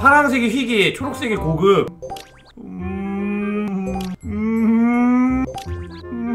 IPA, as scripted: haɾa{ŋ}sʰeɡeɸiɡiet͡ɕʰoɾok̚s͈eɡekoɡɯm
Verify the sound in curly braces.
correct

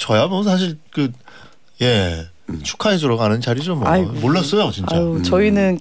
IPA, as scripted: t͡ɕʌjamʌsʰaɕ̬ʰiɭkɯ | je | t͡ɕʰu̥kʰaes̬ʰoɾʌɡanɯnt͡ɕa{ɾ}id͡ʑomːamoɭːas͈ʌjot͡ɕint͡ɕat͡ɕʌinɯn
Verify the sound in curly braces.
correct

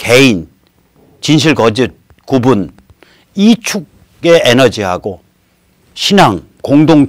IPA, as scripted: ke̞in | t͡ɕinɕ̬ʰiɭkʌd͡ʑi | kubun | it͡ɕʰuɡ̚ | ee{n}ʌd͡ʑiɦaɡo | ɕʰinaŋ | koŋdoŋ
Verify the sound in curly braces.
correct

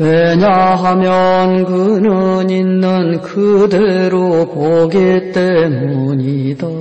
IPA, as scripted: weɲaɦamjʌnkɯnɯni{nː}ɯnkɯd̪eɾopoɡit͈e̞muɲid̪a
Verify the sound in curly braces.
correct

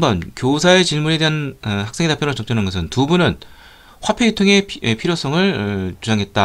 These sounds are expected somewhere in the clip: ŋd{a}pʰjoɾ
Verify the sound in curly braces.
correct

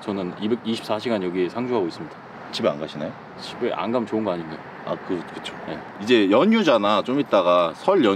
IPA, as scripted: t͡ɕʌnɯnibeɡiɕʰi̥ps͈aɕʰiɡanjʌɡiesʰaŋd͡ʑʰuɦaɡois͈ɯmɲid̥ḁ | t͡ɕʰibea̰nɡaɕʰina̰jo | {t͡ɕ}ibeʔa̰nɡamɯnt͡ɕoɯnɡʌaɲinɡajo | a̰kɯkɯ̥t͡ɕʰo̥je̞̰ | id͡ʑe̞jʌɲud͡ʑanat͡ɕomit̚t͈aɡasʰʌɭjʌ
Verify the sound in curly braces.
incorrect: t͡ɕʰ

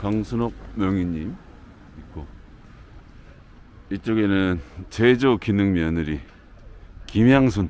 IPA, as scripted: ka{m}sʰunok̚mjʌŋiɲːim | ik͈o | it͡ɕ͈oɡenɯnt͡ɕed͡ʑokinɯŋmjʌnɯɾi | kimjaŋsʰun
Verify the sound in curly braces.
incorrect: ŋ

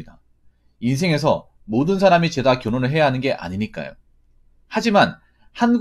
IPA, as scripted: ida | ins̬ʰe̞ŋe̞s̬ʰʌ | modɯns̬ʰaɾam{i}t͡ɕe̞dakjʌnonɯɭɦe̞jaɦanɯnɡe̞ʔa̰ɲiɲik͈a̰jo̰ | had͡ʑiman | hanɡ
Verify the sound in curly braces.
correct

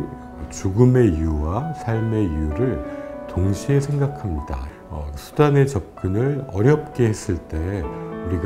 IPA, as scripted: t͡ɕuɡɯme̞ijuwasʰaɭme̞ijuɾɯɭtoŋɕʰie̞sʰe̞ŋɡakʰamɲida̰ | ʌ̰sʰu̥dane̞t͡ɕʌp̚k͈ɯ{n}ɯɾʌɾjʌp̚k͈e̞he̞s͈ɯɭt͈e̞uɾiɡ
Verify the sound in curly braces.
correct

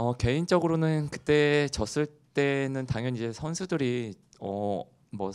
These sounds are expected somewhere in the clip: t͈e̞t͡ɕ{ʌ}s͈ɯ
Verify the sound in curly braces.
correct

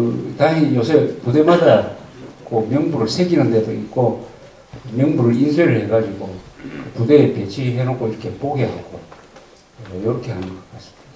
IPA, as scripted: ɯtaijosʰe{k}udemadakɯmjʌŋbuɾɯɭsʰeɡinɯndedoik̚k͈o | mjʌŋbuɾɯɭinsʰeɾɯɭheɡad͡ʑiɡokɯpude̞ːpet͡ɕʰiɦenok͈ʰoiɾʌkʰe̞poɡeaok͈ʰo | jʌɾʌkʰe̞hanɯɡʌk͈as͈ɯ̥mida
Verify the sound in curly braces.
incorrect: p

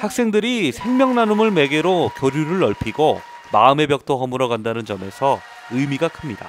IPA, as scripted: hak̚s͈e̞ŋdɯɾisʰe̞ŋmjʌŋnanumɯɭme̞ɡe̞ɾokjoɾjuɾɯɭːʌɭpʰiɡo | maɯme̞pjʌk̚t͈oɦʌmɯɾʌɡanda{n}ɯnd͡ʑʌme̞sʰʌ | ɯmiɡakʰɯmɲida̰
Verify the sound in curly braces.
correct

